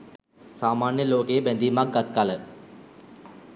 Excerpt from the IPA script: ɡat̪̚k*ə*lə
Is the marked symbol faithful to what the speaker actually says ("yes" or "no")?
no